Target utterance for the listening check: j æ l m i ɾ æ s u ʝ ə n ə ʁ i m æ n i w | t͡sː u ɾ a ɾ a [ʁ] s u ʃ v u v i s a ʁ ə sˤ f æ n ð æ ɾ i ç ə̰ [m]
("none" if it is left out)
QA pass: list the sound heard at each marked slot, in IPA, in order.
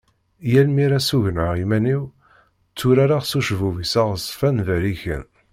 ʁ, n

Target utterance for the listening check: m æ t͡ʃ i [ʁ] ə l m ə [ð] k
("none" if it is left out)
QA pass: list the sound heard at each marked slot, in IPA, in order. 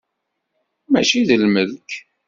ð, ð

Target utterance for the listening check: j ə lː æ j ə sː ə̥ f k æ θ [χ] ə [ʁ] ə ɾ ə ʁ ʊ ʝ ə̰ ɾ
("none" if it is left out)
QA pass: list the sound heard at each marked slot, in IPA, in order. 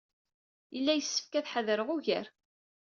ħ, ð

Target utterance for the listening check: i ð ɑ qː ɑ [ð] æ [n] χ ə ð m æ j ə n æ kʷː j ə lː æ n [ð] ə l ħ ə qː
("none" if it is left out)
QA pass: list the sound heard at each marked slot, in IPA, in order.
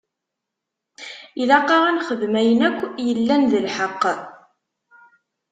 ʁ, n, ð

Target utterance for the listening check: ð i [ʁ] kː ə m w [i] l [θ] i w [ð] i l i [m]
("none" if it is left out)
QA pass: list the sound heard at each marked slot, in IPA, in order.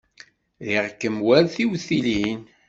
ʁ, æ, θ, θ, n

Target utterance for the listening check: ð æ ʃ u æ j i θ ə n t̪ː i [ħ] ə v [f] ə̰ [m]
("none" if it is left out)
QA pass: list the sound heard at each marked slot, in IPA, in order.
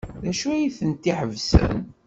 ħ, s, n

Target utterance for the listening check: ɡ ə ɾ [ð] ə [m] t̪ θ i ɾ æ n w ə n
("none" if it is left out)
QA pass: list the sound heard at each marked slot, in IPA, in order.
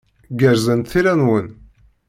z, n

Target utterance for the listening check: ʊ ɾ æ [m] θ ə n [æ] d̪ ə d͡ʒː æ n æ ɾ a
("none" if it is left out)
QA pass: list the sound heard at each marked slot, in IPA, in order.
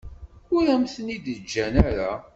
m, i

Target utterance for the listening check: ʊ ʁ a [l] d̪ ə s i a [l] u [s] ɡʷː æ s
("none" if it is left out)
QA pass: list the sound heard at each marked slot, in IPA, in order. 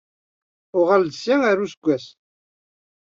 l, ɾ, s

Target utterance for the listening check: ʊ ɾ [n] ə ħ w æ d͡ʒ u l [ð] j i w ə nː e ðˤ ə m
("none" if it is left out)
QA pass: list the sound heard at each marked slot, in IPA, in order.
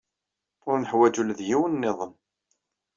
n, ð

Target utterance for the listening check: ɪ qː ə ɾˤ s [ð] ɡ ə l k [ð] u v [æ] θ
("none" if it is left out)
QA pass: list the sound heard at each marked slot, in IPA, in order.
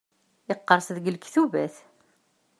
ð, θ, æ

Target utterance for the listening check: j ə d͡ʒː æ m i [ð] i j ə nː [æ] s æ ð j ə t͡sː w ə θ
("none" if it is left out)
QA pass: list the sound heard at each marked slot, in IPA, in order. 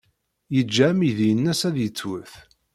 ð, æ

